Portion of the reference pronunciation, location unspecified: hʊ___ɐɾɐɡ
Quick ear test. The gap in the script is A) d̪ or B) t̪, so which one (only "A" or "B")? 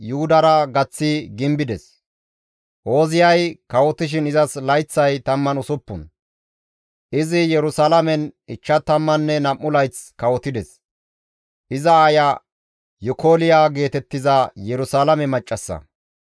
A